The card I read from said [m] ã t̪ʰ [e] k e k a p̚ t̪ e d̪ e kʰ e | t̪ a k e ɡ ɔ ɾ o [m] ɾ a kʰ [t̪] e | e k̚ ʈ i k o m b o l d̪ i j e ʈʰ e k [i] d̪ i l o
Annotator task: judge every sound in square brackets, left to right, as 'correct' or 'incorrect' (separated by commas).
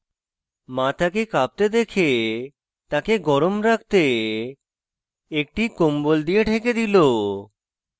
correct, incorrect, correct, correct, incorrect